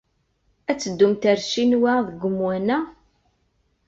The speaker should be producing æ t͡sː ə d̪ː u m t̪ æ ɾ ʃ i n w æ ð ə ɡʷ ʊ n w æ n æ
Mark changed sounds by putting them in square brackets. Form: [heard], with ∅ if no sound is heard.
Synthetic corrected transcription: æ t͡sː ə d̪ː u m t̪ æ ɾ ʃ i n w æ ð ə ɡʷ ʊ [m] w æ n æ